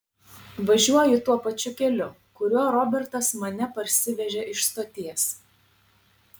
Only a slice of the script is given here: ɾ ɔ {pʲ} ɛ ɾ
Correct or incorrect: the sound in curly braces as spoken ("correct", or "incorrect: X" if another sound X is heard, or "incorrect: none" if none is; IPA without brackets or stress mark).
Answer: incorrect: bʲ